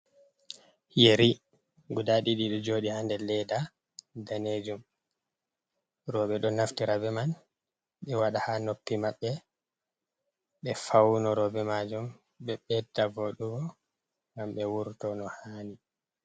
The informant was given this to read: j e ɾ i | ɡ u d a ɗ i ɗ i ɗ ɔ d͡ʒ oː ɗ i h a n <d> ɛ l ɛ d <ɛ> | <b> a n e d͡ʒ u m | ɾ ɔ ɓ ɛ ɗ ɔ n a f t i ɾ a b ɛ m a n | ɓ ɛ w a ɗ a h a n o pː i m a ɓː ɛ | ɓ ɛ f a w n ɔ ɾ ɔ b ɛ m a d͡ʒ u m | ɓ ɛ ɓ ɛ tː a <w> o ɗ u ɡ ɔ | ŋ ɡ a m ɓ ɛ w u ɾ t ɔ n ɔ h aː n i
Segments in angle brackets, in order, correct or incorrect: correct, incorrect: a, incorrect: d, incorrect: v

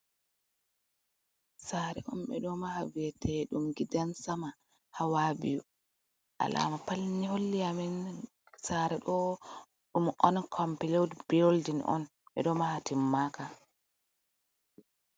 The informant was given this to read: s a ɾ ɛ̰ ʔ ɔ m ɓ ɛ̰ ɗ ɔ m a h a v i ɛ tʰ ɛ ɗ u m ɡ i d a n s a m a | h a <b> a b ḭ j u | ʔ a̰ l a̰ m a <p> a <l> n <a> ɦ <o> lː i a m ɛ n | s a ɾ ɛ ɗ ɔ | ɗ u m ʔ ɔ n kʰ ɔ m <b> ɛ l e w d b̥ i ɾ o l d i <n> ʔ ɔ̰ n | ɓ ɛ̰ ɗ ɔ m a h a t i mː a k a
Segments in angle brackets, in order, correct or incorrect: incorrect: w, correct, correct, incorrect: i, correct, incorrect: p, correct

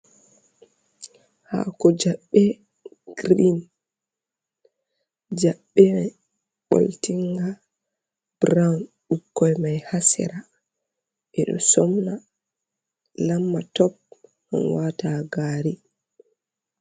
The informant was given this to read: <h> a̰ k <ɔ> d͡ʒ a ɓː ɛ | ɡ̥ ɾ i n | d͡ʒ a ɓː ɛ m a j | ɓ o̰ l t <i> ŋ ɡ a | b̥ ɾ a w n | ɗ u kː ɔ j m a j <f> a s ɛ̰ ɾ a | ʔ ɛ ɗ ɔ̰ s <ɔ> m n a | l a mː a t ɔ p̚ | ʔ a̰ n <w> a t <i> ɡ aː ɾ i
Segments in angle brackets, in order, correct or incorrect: correct, correct, correct, incorrect: h, correct, correct, incorrect: a

